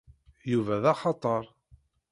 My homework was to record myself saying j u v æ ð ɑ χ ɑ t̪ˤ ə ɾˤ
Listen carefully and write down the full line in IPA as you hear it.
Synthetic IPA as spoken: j u v æ ð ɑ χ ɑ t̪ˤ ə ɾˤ